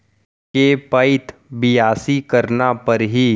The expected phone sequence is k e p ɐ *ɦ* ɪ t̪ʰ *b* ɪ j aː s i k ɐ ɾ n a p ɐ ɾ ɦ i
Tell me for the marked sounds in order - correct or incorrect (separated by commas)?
incorrect, correct